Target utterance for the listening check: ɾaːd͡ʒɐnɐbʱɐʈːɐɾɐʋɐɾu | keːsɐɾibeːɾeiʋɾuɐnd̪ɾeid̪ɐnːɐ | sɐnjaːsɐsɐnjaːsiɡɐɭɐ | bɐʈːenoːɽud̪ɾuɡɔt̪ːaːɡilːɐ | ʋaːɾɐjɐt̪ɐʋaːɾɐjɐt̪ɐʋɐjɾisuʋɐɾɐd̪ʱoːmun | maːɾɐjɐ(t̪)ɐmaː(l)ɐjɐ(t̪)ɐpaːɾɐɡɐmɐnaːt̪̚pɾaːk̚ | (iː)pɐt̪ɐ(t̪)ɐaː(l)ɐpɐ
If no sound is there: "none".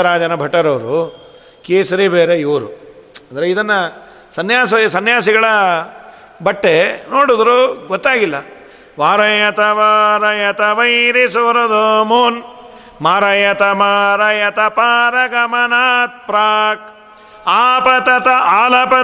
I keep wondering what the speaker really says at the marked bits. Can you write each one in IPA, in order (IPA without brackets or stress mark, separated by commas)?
t̪, ɾ, t̪, aː, t̪, l